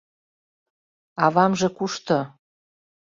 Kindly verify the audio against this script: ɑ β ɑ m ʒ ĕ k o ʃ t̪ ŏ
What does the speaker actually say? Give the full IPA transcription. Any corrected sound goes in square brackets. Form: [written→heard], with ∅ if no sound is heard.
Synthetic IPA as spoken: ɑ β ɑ m ʒ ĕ k [o→u] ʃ t̪ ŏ